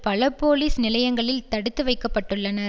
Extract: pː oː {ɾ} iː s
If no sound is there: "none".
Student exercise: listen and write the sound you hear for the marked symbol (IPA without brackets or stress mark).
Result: l